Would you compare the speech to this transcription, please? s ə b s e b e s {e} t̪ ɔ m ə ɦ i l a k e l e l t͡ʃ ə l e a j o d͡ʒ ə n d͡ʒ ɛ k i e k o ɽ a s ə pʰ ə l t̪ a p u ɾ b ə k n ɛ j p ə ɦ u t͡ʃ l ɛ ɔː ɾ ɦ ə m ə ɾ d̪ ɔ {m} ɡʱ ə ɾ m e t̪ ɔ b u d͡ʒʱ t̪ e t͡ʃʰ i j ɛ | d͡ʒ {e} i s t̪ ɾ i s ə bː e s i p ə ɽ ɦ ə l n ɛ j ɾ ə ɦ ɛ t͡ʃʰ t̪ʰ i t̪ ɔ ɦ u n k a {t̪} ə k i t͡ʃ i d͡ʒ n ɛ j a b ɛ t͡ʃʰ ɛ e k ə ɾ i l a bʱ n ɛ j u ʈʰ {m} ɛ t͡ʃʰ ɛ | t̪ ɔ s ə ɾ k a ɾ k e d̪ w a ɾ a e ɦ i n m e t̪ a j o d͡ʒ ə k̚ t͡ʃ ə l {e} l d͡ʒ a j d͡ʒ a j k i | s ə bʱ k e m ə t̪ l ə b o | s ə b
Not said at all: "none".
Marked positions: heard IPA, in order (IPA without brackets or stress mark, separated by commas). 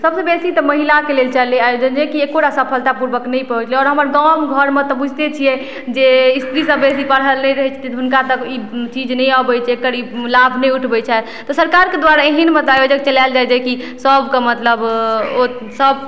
i, m, e, t̪, b, a